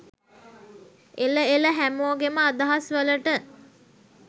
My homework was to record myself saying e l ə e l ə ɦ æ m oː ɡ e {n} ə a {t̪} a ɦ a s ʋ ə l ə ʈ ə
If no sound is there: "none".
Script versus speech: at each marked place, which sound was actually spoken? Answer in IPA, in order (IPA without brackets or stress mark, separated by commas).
m, d̪